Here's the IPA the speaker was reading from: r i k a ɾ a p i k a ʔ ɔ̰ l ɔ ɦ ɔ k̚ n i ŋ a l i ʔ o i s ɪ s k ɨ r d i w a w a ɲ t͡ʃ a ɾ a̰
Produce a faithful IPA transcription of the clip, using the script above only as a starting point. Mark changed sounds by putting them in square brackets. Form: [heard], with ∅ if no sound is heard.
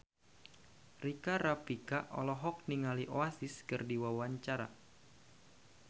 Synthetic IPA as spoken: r i k a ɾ a p i k a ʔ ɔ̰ l ɔ ɦ ɔ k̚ n i ŋ a l i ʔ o [a] s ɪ s k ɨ r d i w a w a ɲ t͡ʃ a ɾ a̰